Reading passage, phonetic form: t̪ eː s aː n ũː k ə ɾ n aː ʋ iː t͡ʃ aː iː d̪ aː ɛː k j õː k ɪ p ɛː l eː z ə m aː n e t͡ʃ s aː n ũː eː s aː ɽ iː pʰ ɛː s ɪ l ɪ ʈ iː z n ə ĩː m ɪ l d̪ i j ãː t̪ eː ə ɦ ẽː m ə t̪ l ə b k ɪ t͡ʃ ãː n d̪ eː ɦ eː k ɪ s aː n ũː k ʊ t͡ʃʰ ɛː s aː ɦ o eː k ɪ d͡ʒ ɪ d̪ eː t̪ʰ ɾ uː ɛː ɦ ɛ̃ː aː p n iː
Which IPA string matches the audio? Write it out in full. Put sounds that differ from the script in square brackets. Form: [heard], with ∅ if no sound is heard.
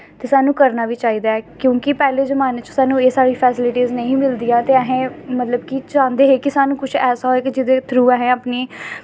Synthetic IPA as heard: t̪ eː s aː n ũː k ə ɾ n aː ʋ iː t͡ʃ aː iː d̪ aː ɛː k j õː k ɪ p ɛː l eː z ə m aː n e t͡ʃ s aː n ũː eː s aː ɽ iː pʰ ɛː s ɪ l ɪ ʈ iː z n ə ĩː m ɪ l d̪ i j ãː t̪ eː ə ɦ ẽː m ə t̪ l ə b k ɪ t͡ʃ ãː n d̪ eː ɦ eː k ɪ s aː n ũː k ʊ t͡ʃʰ ɛː s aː ɦ o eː k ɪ d͡ʒ ɪ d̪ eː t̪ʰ ɾ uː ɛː ɦ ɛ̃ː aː p n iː